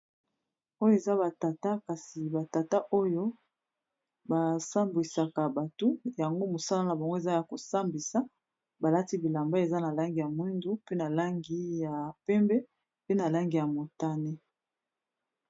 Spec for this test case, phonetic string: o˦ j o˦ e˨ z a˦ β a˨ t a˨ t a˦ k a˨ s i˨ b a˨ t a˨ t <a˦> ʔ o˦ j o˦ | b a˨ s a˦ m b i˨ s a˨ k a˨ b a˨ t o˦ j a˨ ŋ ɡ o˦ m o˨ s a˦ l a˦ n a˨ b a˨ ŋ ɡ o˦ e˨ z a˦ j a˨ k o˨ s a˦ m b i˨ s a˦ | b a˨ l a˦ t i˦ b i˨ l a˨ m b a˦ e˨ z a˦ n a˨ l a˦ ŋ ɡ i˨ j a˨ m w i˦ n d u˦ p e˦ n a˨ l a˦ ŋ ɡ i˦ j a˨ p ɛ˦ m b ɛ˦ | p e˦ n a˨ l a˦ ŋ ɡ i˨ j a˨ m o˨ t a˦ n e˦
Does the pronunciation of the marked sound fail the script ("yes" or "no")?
no